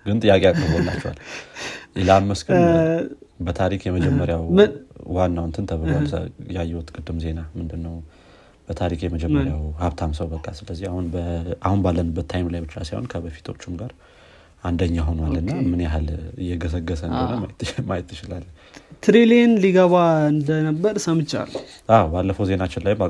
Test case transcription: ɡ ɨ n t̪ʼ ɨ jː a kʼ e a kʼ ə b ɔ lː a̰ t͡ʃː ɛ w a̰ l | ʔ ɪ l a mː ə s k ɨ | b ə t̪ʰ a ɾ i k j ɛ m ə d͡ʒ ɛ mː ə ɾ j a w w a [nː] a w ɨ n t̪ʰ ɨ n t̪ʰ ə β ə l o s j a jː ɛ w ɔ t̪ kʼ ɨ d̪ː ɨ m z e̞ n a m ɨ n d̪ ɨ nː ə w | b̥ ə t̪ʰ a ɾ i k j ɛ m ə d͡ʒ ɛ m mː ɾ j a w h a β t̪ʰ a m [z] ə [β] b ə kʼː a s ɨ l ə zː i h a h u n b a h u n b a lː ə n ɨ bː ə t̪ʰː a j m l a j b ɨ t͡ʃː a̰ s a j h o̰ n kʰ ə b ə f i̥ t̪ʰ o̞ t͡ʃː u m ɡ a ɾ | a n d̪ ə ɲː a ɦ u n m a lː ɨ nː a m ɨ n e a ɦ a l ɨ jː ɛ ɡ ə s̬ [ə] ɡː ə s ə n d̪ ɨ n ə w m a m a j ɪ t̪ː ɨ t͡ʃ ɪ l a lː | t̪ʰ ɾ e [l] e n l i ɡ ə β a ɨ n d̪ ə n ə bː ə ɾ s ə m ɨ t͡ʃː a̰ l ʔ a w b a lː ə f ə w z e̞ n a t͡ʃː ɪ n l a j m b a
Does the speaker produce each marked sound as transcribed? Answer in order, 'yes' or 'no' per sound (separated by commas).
yes, no, no, yes, yes